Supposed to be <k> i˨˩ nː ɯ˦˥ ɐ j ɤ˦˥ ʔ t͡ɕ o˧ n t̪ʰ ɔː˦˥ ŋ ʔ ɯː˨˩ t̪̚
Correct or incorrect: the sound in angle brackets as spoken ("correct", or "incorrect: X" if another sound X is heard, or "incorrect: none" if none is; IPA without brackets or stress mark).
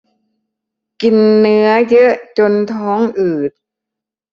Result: correct